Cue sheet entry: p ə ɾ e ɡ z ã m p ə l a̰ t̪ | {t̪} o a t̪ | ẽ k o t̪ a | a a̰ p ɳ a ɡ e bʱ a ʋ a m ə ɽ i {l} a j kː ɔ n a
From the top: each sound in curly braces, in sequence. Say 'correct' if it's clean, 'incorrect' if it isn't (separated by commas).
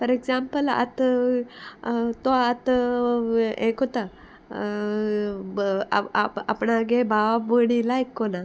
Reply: correct, correct